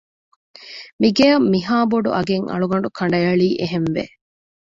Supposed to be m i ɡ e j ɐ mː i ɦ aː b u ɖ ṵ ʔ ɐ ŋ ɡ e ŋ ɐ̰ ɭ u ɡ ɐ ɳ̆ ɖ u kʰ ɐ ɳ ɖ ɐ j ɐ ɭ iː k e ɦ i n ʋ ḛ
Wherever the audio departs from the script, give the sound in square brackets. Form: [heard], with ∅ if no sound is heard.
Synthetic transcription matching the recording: m i ɡ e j ɐ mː i ɦ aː b [o] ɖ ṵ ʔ ɐ [∅] ɡ e ŋ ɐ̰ ɭ u ɡ ɐ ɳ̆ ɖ u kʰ ɐ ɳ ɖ ɐ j ɐ ɭ iː [ʔ] e ɦ [e] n ʋ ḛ